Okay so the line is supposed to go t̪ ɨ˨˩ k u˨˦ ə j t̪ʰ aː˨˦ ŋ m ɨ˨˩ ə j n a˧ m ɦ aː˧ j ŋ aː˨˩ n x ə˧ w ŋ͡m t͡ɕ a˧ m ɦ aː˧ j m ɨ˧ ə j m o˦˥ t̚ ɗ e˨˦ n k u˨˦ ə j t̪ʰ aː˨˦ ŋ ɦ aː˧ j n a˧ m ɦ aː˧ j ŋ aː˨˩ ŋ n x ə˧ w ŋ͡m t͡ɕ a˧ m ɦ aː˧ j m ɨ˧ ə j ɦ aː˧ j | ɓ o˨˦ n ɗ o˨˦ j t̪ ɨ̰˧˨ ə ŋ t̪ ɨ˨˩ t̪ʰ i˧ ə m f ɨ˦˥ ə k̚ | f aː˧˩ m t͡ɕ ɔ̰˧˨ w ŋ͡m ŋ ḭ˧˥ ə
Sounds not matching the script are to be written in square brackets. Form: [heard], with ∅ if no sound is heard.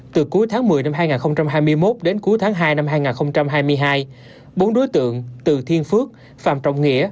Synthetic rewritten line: t̪ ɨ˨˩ k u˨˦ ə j t̪ʰ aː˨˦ ŋ m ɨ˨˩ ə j n a˧ m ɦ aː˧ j ŋ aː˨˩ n x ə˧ w ŋ͡m t͡ɕ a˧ m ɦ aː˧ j m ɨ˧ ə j m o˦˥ t̚ ɗ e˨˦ n k u˨˦ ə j t̪ʰ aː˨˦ ŋ ɦ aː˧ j n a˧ m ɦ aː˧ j ŋ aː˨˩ [∅] n x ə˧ w ŋ͡m t͡ɕ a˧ m ɦ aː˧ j m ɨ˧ ə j ɦ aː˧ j | ɓ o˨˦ n ɗ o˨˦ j t̪ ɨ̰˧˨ ə ŋ t̪ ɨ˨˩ t̪ʰ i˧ ə [n] f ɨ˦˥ ə k̚ | f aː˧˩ m t͡ɕ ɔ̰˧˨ w ŋ͡m ŋ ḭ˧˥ ə